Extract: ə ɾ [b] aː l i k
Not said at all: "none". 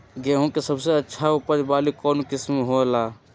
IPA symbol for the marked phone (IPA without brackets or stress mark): b